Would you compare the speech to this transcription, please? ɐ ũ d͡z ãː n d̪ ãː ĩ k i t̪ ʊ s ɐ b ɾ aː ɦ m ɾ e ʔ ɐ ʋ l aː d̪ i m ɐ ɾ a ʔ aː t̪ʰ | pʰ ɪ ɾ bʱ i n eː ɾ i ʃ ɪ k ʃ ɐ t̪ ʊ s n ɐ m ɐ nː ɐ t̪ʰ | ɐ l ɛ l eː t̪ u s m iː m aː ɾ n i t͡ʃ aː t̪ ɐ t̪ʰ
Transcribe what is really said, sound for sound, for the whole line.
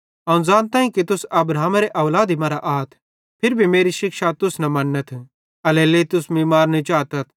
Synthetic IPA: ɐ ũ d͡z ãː n t̪ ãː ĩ k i t̪ ʊ s ɐ b ɾ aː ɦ m ɾ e ʔ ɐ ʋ l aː d̪ i m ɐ ɾ a ʔ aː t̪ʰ | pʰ ɪ ɾ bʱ i m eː ɾ i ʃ ɪ k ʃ a t̪ ʊ s n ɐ m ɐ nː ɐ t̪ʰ | ɐ l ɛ l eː t̪ ʊ s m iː m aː ɾ n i t͡ʃ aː t̪ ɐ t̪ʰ